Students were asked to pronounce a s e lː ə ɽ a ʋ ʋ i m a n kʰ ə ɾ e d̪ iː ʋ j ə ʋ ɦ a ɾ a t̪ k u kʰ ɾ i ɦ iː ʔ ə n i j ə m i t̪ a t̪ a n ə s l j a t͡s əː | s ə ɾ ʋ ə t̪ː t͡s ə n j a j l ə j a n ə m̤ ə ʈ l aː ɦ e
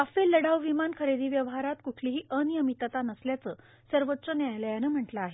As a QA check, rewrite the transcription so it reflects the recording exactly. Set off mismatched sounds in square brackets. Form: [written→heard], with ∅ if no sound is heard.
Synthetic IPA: a [s→f] e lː ə ɽ a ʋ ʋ i m a n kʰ ə ɾ e d̪ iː ʋ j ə ʋ ɦ a ɾ a t̪ k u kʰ [ɾ→l] i ɦ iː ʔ ə n i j ə m i t̪ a t̪ a n ə s l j a t͡s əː | s ə ɾ ʋ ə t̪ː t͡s ə n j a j l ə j a n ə m̤ ə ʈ l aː ɦ e